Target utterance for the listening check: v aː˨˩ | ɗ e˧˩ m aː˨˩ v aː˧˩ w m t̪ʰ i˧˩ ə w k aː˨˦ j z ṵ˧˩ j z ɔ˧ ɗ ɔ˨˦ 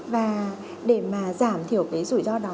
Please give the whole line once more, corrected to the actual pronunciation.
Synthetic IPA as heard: v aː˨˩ | ɗ e˧˩ m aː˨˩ z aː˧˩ m t̪ʰ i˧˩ ə w k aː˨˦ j z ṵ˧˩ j z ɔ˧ ɗ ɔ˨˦